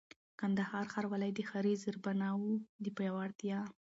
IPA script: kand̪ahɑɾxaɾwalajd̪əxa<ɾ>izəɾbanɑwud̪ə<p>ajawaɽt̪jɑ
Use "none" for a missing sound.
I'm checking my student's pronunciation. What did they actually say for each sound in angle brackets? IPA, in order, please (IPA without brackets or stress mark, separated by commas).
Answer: ɾ, p